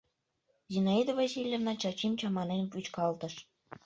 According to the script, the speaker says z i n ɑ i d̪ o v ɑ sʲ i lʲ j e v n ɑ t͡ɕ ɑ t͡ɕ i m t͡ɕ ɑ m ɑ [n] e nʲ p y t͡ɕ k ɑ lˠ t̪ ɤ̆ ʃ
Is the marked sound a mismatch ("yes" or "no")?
no